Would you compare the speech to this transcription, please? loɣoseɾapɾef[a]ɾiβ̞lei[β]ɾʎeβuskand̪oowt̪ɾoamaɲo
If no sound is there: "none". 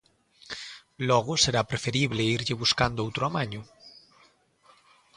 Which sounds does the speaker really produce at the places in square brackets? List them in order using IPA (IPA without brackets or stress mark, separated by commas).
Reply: e, none